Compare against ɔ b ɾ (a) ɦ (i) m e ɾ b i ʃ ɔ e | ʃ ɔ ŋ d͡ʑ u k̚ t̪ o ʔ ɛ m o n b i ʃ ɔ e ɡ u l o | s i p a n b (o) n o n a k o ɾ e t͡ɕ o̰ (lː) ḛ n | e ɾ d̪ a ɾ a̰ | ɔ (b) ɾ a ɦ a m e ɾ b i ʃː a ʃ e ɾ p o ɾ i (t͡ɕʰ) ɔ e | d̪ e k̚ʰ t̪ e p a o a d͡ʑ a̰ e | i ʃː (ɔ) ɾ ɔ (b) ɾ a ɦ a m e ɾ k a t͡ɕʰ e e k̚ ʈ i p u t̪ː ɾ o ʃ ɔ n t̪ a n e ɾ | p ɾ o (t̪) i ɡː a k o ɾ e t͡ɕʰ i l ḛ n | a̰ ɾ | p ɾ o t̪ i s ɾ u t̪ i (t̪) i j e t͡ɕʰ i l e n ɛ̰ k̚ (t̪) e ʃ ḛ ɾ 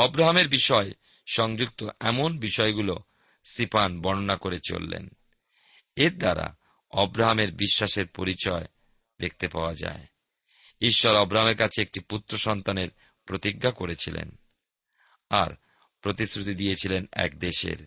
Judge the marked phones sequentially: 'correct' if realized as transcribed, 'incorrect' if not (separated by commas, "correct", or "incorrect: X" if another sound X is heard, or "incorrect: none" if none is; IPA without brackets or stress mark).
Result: correct, incorrect: a, incorrect: ɔ, correct, correct, incorrect: t͡ɕ, correct, correct, correct, incorrect: d̪, incorrect: d̪